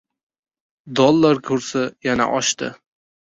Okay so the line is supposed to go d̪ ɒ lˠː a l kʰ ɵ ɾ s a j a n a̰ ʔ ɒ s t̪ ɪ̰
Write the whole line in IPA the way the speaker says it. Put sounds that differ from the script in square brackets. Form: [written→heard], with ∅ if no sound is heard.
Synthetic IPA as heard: d̪ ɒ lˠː a [l→ɾ] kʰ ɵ ɾ s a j a n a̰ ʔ ɒ [s→ʃ] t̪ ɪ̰